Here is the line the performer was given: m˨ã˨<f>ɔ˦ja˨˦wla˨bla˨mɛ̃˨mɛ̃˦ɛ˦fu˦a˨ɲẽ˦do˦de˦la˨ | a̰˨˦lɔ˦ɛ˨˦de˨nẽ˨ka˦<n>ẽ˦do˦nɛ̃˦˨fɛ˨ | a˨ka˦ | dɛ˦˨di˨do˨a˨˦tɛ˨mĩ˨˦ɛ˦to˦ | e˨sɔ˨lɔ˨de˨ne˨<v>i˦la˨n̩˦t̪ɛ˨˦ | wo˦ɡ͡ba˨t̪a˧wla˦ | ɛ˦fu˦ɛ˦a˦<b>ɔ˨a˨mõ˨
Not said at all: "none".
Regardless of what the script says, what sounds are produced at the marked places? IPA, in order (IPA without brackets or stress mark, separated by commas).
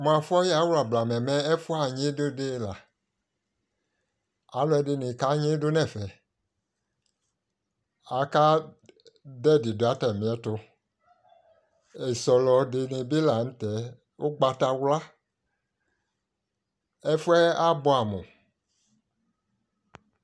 f, ɲ, b, b